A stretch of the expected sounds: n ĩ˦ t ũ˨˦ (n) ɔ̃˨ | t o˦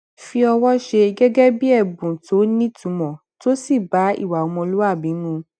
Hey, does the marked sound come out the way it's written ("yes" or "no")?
no